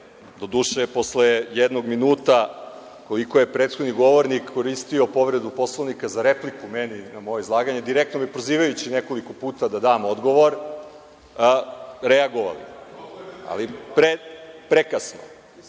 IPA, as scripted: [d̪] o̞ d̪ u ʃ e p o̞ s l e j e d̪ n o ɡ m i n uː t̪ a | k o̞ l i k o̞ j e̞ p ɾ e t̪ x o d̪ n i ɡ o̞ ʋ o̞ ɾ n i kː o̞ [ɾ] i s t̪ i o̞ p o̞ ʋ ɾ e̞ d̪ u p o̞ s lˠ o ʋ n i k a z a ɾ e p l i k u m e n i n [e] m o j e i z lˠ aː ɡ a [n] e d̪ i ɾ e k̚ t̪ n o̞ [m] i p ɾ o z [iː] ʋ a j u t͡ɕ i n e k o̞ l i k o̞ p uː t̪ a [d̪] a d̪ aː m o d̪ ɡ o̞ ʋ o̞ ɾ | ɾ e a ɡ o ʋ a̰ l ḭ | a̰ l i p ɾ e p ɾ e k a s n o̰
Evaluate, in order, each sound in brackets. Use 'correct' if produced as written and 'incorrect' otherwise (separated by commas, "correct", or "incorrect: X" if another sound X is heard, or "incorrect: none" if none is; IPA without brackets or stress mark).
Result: correct, correct, incorrect: a, incorrect: ɲ, correct, correct, correct